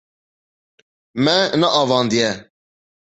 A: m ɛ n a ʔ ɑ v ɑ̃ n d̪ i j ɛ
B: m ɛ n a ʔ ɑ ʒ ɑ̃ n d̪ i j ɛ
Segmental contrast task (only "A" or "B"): A